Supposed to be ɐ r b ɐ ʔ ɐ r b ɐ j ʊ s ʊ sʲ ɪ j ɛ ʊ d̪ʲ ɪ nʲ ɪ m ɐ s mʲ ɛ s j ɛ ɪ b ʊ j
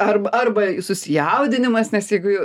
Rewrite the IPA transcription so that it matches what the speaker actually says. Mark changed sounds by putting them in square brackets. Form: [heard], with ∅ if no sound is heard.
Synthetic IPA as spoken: ɐ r b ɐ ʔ ɐ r b ɐ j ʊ s ʊ sʲ ɪ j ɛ ʊ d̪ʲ ɪ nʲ ɪ m ɐ s [nʲ] ɛ s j ɛ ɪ [ɡ] ʊ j